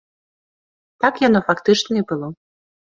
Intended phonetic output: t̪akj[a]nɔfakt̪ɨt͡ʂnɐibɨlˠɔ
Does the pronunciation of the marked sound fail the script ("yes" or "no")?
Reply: no